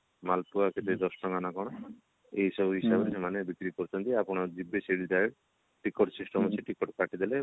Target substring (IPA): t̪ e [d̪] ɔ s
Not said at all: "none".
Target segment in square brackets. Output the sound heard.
d̪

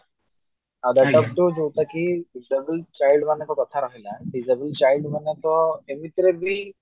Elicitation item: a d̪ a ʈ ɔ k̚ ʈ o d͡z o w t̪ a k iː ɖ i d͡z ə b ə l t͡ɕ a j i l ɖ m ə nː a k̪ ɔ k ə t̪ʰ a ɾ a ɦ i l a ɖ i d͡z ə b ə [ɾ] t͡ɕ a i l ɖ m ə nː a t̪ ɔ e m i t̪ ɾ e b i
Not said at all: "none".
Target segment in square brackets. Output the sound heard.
l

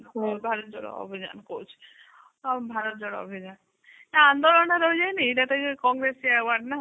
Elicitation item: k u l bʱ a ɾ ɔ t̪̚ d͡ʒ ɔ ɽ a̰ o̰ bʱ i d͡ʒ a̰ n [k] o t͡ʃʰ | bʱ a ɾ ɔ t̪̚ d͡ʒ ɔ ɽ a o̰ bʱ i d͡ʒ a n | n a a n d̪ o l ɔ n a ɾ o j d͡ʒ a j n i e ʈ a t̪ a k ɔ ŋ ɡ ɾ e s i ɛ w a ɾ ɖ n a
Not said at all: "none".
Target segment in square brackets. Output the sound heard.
k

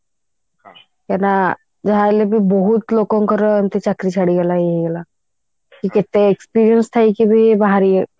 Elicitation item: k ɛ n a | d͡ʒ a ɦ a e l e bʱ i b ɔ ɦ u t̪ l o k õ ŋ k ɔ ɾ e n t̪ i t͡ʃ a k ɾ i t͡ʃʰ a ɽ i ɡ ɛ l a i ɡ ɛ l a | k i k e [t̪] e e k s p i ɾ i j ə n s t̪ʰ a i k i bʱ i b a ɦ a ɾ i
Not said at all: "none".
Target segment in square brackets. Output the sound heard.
t̪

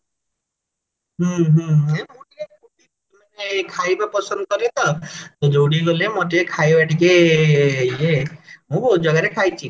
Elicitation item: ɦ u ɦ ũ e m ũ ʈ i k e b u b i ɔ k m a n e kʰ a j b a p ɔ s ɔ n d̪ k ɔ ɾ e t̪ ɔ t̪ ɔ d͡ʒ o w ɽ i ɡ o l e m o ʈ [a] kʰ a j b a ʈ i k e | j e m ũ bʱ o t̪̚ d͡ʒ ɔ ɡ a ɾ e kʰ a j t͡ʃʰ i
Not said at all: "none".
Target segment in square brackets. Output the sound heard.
e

